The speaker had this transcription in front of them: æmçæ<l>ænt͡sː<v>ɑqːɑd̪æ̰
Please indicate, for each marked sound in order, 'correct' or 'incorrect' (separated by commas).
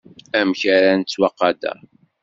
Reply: incorrect, incorrect